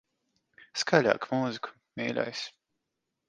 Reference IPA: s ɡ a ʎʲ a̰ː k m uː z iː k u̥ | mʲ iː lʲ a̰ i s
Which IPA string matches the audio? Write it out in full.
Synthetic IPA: s k a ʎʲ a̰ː k m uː z i k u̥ | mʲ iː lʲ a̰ j s